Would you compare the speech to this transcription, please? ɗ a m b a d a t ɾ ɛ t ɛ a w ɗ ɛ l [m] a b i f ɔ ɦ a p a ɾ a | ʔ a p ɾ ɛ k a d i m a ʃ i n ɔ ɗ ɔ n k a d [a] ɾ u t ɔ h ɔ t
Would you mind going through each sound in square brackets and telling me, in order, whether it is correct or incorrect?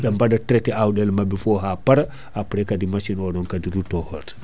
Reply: correct, incorrect: i

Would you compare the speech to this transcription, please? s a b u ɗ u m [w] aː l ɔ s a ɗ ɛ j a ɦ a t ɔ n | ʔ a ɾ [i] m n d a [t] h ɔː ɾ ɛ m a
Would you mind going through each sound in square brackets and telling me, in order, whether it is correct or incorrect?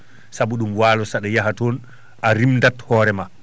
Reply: correct, correct, correct

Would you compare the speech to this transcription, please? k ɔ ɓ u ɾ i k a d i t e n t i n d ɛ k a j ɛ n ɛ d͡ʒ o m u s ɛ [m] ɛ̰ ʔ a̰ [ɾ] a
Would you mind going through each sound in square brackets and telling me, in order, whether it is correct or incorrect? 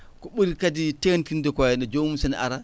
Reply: incorrect: n, correct

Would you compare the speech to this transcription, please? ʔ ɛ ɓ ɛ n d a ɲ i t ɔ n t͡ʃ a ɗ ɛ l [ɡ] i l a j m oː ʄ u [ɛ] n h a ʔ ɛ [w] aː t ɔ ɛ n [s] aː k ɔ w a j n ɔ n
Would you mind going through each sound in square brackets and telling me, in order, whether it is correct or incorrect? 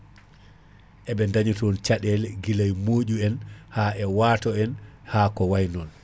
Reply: correct, correct, correct, incorrect: h

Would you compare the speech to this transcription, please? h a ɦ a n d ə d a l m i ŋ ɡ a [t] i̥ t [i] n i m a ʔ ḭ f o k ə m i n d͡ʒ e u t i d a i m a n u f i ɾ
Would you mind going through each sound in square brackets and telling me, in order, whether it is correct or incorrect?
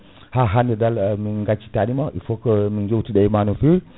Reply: incorrect: t͡ʃ, incorrect: a

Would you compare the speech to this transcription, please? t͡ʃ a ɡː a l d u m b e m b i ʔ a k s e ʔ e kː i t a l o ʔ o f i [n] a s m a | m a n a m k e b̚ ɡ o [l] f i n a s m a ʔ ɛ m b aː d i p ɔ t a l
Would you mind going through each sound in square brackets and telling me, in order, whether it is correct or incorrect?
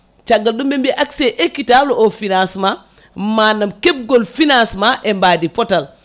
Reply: correct, correct

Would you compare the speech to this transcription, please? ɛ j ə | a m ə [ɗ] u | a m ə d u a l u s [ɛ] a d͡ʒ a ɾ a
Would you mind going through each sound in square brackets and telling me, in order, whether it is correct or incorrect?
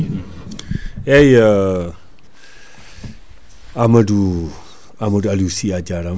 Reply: incorrect: d, incorrect: i

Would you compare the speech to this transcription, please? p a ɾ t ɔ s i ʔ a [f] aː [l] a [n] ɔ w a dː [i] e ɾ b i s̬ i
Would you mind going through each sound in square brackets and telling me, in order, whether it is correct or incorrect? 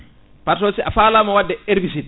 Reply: correct, correct, incorrect: m, incorrect: ɛ

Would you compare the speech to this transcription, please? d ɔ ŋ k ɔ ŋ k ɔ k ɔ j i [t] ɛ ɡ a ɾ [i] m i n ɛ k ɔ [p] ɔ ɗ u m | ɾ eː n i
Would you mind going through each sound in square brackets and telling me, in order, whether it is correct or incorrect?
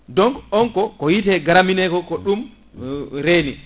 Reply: correct, incorrect: a, incorrect: k

